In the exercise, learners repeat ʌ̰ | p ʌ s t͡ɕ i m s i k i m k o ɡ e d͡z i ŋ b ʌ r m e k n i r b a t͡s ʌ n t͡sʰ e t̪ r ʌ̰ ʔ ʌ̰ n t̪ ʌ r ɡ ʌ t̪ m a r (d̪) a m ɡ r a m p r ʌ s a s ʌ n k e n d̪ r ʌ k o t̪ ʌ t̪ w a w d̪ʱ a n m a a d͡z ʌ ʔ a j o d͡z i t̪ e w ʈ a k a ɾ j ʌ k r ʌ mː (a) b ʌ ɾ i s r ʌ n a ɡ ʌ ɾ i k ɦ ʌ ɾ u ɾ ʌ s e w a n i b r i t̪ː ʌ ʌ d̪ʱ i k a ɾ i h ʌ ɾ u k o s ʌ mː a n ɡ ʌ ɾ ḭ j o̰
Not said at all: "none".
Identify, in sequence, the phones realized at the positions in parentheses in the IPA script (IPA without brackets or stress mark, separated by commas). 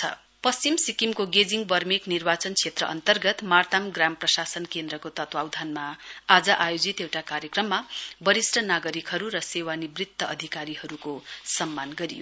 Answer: t̪, a